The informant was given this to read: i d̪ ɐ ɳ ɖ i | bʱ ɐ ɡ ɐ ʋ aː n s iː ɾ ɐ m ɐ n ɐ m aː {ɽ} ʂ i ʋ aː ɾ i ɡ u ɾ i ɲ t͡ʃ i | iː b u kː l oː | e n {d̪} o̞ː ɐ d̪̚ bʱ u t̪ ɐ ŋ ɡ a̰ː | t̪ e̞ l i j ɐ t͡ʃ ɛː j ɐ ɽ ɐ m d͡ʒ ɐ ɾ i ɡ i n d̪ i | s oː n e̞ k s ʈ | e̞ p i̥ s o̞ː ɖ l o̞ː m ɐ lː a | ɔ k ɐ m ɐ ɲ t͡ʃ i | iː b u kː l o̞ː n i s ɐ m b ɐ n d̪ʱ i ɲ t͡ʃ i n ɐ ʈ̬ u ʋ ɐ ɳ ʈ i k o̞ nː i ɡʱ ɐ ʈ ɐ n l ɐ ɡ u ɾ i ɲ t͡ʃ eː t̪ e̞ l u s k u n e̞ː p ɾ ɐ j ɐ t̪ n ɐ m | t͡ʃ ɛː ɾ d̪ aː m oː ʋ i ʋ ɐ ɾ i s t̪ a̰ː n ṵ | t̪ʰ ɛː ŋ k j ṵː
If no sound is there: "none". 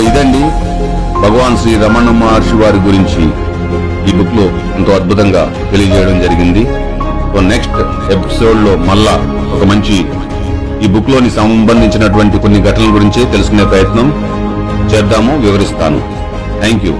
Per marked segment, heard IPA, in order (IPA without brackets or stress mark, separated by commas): ɾ, t̪